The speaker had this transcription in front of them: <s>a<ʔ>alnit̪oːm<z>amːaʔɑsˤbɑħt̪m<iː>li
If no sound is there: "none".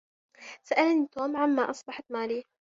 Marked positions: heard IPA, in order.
s, ʔ, ʕ, aː

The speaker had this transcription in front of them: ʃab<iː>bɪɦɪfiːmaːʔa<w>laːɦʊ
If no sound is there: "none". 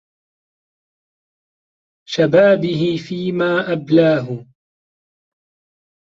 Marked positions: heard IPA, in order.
aː, b

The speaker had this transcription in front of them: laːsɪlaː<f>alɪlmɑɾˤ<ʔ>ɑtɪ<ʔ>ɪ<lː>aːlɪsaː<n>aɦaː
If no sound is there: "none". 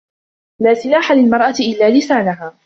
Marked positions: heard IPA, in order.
ħ, ʔ, ʔ, lː, n

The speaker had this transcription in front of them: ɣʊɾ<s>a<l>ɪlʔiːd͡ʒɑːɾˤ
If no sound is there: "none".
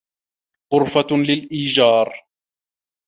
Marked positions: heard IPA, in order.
f, l

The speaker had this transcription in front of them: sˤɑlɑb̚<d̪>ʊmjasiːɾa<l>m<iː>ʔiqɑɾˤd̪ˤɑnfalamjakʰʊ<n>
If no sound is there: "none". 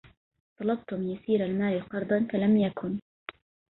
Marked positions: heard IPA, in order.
t̪, l, aː, n

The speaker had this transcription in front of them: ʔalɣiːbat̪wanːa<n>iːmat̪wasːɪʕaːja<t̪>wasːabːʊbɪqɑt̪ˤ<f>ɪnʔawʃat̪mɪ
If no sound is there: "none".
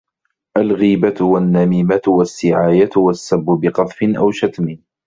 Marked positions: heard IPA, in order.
m, t̪, f

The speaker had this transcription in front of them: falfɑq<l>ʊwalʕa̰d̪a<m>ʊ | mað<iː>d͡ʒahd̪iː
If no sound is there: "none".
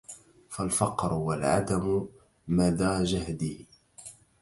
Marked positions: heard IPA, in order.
ɾ, m, aː

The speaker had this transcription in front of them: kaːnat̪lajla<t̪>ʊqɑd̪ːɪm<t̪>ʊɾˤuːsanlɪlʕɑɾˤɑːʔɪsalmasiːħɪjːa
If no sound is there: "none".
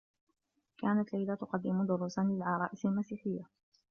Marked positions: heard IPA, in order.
t̪, d̪

